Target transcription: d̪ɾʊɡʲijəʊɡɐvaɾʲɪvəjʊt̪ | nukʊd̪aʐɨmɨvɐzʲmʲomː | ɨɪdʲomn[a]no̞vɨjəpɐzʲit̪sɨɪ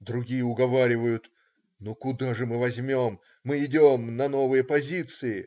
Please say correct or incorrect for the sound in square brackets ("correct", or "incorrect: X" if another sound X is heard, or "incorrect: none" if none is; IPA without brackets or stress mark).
incorrect: ɐ